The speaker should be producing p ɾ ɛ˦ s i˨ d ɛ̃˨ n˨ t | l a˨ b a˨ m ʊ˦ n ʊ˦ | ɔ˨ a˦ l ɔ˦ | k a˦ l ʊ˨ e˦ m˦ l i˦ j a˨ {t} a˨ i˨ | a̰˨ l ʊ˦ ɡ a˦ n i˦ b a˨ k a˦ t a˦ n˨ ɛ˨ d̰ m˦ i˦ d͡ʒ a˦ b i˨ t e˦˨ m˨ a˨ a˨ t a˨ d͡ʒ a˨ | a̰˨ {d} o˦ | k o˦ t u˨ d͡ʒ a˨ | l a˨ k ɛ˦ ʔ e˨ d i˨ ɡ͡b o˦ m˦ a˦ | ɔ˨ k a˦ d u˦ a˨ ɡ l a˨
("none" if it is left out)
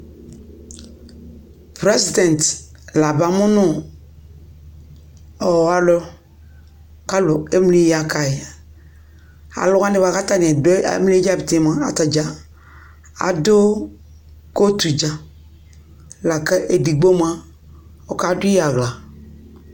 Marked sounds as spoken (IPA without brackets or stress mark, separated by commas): k, d